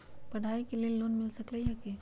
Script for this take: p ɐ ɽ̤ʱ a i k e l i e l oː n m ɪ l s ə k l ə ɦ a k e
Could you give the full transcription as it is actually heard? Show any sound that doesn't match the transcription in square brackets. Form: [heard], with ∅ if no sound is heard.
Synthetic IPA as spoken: p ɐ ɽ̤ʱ a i k e l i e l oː n m ɪ l s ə k l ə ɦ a k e